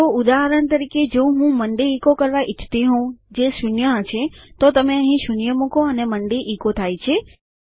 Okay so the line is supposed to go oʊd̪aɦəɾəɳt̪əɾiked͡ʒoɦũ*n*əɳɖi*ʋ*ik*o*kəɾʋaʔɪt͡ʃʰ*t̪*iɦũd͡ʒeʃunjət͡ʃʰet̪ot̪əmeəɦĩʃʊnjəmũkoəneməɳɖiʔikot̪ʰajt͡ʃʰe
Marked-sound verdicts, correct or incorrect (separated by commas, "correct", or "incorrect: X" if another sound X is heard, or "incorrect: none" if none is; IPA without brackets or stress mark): incorrect: m, incorrect: none, correct, correct